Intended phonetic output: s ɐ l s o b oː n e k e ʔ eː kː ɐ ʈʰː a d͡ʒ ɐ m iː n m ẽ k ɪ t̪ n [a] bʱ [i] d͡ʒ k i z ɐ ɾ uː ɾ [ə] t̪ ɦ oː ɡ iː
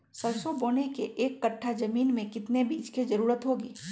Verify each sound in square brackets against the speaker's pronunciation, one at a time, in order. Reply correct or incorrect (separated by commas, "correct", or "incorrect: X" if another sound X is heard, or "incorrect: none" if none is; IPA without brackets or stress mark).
incorrect: e, incorrect: iː, correct